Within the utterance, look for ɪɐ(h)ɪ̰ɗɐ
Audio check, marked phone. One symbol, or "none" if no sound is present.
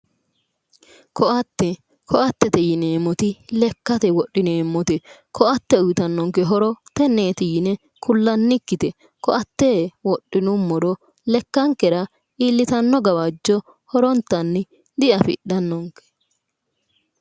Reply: f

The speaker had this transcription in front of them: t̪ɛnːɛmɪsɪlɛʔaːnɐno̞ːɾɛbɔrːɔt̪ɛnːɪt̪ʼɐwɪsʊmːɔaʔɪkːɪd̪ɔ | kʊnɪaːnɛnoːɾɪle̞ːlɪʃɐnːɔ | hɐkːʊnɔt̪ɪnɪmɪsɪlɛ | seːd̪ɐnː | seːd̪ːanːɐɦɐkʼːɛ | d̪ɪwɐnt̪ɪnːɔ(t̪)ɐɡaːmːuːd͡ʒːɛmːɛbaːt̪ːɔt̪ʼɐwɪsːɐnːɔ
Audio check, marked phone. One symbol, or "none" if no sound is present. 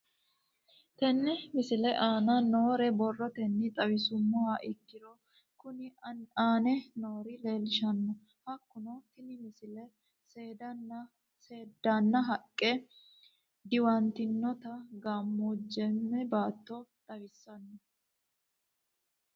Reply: t̪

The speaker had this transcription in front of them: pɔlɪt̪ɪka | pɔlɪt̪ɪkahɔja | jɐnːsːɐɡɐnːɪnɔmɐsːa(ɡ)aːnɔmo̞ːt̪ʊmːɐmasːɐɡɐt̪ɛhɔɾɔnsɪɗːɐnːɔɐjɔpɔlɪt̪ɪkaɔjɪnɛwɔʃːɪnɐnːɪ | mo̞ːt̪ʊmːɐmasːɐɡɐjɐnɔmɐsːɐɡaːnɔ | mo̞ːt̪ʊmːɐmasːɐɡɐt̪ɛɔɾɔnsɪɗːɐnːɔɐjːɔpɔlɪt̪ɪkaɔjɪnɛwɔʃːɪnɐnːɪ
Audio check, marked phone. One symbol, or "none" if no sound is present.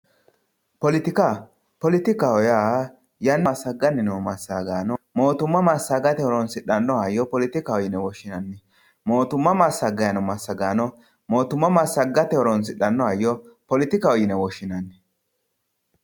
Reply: ɡ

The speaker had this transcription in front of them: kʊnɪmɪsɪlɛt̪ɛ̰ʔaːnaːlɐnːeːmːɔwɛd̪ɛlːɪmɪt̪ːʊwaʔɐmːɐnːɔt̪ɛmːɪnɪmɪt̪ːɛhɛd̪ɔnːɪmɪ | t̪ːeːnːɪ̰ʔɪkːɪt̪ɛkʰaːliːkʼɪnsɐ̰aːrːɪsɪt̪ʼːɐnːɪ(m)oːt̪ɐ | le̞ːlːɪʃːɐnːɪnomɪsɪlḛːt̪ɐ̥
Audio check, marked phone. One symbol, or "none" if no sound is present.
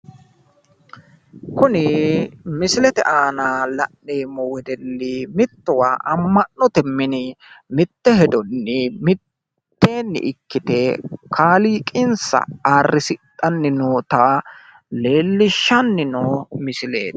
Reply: n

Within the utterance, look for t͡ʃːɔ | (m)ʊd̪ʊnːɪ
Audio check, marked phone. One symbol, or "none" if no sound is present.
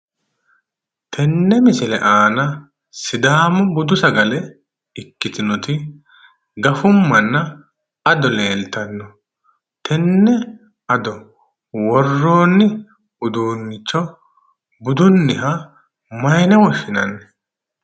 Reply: b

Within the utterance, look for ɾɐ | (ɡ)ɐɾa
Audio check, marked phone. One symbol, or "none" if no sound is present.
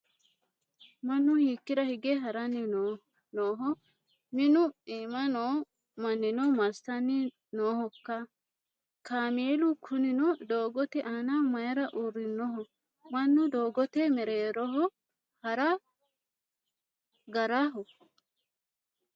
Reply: ɡ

